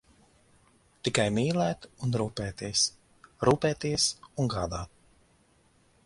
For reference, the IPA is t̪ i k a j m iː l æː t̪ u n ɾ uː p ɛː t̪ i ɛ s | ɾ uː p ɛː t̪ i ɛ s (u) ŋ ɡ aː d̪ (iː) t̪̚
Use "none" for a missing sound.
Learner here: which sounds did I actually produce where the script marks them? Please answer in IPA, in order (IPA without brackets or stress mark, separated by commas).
u, aː